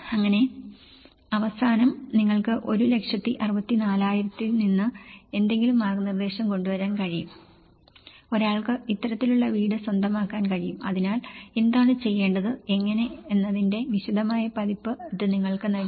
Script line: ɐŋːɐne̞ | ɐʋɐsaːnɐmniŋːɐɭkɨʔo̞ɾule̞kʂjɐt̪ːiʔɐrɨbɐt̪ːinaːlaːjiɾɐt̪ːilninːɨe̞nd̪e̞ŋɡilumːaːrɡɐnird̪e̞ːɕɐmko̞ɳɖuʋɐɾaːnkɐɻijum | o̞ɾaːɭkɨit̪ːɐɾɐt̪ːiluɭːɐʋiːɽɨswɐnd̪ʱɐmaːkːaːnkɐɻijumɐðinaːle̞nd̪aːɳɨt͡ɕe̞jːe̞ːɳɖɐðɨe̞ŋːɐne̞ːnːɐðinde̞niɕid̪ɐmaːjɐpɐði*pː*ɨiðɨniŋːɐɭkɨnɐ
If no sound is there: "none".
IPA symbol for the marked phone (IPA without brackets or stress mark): pː